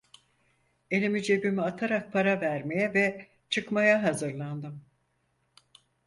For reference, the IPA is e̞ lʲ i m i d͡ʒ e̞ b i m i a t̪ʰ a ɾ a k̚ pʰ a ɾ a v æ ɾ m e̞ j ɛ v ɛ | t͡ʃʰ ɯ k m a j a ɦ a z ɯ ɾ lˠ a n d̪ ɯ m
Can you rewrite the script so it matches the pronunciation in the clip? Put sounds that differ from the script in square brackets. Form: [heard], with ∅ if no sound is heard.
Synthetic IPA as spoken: e̞ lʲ i m i d͡ʒ e̞ b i m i a t̪ʰ a ɾ a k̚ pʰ a ɾ a v æ ɾ m e̞ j ɛ v ɛ | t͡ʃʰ ɯ k m a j a ɦ a z ɯ ɾ lˠ a n d̪ ɯ m